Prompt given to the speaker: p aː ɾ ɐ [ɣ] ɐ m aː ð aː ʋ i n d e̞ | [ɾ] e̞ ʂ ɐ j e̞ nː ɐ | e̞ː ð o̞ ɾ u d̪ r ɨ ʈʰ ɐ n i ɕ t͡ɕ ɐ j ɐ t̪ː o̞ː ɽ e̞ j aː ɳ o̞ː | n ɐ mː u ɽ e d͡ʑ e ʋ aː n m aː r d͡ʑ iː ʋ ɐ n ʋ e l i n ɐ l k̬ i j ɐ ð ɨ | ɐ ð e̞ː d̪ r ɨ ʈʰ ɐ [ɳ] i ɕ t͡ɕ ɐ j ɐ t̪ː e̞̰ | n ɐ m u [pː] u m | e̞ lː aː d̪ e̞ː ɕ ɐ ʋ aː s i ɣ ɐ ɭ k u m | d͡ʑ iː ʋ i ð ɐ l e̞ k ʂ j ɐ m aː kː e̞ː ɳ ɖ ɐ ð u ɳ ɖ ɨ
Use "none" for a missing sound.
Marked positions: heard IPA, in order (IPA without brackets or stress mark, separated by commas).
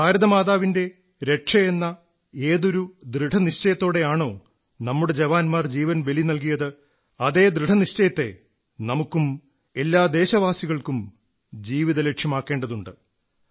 ð, ɾ, n, kː